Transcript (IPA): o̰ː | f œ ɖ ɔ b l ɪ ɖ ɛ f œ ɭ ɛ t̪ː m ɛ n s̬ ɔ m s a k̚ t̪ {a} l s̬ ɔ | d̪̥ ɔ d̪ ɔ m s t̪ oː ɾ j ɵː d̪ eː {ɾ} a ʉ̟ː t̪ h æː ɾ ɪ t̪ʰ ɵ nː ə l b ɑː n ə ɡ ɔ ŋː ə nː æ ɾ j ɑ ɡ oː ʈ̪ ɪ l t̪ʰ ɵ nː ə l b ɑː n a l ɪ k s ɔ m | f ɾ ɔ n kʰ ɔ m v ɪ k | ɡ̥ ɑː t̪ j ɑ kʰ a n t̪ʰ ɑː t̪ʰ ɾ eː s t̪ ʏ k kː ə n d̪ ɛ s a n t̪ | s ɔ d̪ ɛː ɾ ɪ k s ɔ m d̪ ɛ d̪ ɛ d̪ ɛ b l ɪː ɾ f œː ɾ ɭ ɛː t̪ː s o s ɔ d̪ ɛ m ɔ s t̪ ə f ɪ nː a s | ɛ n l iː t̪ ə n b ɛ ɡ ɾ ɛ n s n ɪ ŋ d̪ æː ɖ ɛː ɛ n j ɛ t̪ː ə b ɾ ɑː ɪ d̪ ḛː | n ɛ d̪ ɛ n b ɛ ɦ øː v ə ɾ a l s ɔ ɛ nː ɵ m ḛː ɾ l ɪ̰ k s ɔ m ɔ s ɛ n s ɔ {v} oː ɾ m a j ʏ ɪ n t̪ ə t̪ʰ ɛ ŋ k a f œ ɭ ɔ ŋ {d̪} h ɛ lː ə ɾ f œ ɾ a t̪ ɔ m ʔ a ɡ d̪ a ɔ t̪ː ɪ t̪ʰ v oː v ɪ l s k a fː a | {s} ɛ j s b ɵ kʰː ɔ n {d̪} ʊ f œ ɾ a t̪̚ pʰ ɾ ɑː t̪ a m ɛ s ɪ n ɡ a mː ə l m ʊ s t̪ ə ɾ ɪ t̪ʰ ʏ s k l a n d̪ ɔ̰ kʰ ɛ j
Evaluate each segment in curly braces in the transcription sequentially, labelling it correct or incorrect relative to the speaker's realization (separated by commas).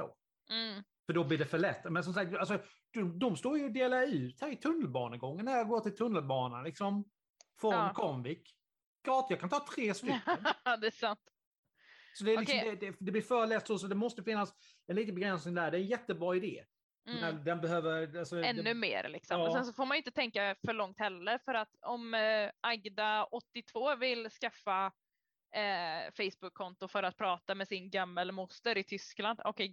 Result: correct, incorrect, incorrect, incorrect, incorrect, incorrect